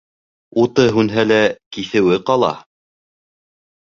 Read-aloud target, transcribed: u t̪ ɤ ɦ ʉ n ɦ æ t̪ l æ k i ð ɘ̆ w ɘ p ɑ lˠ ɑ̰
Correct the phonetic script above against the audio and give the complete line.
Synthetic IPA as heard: u t̪ ɤ ɦ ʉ n ɦ æ l æ k i θ ɘ̆ w ɘ q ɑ lˠ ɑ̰